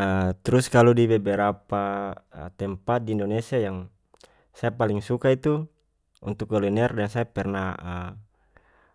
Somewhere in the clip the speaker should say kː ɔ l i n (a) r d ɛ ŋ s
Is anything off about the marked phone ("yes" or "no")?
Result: yes